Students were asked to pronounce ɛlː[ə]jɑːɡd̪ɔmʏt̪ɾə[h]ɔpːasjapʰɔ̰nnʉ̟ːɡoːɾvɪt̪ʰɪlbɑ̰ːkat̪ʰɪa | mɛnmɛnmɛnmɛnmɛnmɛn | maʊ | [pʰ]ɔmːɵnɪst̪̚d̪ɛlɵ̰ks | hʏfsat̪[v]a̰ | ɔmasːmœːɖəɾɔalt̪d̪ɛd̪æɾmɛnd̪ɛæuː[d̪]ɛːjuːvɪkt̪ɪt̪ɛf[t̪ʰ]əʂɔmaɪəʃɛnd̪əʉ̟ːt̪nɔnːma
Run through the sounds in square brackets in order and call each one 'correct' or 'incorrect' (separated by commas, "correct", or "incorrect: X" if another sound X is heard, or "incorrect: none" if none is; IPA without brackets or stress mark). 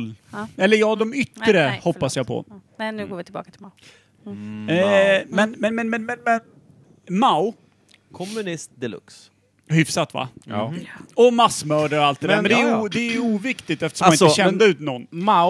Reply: correct, correct, incorrect: kʰ, correct, correct, incorrect: t̪